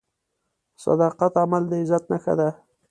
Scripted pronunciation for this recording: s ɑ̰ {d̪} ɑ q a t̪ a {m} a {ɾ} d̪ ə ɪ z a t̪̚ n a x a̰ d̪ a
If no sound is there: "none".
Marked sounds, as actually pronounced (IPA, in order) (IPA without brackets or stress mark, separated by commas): d̪, m, l